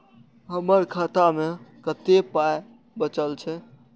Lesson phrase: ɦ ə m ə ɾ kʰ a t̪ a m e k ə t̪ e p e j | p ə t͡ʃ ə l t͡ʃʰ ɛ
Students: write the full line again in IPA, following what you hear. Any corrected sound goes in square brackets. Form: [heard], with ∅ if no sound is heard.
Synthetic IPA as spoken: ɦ ə m ə ɾ kʰ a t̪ a m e k ə t̪ e p [a] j | [b] ə t͡ʃ ə l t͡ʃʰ ɛ